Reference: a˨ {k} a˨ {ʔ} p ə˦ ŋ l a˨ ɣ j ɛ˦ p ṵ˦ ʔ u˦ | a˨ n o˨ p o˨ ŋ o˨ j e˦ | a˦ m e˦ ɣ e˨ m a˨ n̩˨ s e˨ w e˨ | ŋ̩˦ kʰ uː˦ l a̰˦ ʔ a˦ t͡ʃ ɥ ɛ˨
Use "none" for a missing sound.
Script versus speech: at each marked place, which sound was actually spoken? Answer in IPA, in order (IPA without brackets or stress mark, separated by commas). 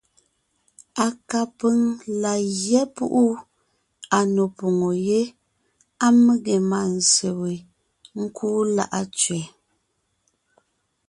k, none